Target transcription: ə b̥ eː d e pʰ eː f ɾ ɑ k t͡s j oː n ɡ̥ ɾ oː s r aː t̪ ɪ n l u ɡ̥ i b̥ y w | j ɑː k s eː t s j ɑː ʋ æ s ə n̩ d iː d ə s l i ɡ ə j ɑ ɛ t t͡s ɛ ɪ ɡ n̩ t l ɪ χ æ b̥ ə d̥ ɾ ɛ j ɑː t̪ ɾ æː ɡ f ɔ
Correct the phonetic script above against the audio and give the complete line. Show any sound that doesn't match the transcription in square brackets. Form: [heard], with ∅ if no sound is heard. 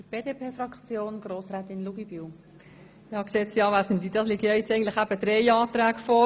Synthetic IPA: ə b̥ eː d e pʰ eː f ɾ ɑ k t͡s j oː n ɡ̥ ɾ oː s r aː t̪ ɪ n l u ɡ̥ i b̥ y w | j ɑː k s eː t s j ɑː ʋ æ s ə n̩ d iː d [ɑ] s l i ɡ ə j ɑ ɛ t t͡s ɛ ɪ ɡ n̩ t l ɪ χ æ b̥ ə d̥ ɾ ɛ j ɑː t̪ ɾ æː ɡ f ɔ